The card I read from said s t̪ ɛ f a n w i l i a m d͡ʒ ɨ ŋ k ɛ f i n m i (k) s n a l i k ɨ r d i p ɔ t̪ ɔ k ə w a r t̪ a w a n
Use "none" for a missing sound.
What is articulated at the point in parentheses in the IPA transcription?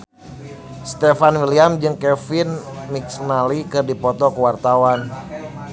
k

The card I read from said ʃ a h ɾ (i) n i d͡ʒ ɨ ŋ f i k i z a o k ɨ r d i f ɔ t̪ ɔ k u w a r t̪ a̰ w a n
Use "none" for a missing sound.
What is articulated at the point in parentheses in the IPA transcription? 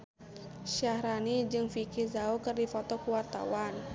a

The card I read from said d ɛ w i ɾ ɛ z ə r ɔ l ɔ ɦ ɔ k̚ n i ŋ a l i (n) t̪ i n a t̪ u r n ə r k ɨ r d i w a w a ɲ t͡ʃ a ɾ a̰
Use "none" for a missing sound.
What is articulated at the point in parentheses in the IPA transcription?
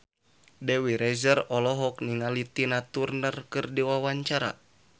none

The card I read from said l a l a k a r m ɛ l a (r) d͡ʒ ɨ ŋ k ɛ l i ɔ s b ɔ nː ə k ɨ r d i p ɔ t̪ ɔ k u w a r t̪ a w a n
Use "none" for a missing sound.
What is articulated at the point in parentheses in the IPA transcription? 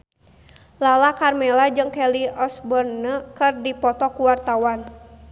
none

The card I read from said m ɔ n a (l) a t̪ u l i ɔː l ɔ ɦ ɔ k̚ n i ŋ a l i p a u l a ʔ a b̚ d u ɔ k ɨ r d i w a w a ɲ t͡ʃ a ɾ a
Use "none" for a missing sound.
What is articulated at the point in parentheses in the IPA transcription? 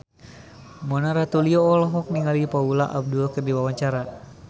ɾ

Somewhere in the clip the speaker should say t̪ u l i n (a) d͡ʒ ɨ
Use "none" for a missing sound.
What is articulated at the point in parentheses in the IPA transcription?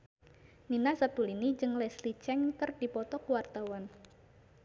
i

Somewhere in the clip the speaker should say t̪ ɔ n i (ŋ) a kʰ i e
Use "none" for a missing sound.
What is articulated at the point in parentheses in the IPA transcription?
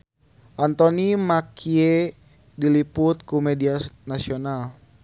m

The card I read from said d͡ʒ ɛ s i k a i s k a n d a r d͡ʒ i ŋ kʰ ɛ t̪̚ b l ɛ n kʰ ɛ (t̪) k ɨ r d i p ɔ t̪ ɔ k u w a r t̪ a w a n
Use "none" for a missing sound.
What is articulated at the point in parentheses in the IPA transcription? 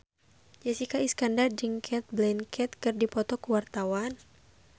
t̪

